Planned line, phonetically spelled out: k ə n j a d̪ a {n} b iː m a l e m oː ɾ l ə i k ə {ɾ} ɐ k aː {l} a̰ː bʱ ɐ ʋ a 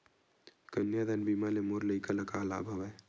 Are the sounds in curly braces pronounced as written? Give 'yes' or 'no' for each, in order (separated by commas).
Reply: yes, no, yes